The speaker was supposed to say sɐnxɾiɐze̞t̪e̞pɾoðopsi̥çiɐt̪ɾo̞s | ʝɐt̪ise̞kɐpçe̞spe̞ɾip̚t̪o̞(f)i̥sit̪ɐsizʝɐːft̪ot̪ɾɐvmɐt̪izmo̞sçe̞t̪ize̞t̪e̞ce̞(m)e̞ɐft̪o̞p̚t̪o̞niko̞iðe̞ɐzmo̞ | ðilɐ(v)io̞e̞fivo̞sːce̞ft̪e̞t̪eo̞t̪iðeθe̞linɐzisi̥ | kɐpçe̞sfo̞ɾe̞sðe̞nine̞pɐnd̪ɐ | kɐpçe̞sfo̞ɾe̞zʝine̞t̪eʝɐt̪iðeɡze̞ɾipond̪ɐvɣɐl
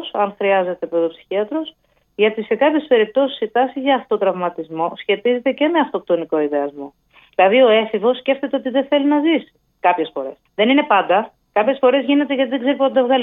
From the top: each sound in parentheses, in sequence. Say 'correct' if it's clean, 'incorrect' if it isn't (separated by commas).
incorrect, correct, incorrect